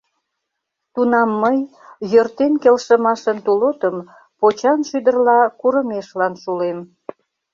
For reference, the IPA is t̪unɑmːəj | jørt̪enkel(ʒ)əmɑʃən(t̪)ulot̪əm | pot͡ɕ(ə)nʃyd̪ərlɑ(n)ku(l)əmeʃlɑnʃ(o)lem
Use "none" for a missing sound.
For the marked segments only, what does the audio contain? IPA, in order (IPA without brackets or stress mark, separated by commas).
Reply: ʃ, t̪, ɑ, none, ɾ, u